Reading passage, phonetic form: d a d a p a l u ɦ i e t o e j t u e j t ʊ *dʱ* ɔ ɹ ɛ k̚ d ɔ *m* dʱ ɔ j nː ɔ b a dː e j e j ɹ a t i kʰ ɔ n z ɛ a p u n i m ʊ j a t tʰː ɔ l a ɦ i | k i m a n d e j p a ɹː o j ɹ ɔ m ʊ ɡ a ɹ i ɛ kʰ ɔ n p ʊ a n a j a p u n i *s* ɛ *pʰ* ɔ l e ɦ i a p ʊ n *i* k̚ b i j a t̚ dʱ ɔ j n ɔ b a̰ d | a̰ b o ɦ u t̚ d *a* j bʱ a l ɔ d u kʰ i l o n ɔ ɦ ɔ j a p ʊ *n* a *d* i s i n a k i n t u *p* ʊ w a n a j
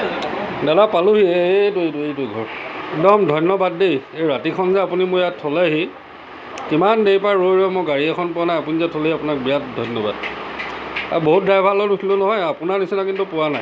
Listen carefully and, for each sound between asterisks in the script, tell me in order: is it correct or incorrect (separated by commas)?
incorrect, correct, incorrect, incorrect, incorrect, correct, correct, incorrect, correct